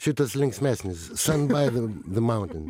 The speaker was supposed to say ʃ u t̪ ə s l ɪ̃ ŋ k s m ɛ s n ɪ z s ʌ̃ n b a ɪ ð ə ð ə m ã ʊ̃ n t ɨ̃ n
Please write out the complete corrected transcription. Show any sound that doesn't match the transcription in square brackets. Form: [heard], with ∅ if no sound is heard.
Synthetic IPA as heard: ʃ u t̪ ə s l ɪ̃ ŋ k s m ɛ s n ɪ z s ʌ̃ n b a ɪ ð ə ð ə m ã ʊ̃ n t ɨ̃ n